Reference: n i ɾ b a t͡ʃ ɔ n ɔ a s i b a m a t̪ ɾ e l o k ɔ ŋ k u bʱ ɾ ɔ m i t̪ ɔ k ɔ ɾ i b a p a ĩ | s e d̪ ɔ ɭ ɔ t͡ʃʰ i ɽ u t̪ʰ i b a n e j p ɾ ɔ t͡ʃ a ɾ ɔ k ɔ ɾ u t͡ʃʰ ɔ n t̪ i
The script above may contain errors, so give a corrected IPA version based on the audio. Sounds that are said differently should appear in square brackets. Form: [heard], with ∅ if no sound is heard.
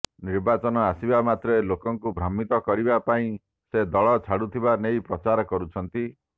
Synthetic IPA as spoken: n i ɾ b a t͡ʃ ɔ n ɔ a s i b a m a t̪ ɾ e l o k ɔ ŋ k u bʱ ɾ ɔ m i t̪ ɔ k ɔ ɾ i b a p a ĩ | s e d̪ ɔ ɭ ɔ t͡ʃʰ [a] ɽ u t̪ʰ i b a n e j p ɾ ɔ t͡ʃ a ɾ ɔ k ɔ ɾ u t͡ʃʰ ɔ n t̪ i